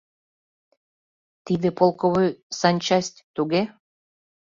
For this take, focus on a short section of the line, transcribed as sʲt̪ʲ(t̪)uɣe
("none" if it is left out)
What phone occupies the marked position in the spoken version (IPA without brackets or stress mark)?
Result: t̪